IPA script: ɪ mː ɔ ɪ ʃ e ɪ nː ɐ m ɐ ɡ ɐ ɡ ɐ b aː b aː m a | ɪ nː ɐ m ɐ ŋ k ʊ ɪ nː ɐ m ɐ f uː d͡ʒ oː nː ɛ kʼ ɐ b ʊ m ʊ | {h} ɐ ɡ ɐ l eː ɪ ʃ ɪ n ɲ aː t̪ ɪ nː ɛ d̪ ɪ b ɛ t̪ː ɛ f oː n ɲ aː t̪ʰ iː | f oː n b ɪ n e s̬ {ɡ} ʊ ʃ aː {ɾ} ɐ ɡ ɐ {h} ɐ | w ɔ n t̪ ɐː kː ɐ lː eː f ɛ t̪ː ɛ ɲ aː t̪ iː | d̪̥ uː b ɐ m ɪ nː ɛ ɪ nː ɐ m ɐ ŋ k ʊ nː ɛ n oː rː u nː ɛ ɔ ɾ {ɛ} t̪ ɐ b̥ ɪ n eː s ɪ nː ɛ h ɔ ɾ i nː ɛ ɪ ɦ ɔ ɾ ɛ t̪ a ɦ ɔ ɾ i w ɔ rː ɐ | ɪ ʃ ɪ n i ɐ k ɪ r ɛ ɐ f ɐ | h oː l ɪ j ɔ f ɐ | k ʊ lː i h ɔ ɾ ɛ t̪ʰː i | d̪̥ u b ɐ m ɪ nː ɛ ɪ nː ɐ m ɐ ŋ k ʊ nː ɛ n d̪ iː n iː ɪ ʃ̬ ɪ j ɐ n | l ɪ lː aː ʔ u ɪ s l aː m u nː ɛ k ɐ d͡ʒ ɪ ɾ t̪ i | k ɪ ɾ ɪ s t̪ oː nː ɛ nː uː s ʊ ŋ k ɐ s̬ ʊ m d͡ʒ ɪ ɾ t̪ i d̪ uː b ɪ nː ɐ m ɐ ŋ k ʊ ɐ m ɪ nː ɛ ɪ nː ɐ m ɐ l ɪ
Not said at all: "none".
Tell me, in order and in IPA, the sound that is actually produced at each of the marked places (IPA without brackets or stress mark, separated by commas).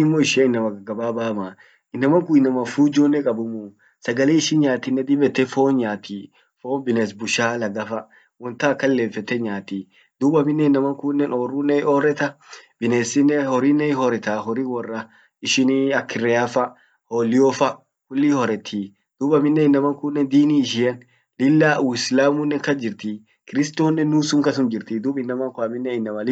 s, b, l, f, ɛ